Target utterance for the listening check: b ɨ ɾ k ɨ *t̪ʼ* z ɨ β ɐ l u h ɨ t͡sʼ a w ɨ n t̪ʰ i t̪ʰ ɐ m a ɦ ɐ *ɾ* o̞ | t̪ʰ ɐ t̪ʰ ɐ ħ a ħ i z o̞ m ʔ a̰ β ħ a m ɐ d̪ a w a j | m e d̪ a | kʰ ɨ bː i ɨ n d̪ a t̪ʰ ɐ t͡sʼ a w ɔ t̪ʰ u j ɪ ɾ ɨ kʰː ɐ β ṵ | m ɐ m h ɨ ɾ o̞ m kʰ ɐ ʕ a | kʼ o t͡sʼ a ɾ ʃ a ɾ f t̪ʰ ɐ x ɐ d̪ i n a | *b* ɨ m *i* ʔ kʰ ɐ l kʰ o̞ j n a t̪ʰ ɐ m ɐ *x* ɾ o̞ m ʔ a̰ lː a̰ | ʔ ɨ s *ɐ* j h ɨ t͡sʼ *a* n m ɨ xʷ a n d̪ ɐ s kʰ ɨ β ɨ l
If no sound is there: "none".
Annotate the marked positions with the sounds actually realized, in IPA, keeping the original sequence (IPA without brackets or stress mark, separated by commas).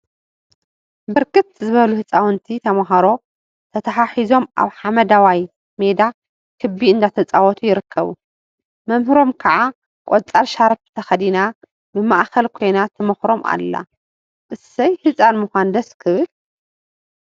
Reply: t̪, ɾ, b, a, x, ɐ, a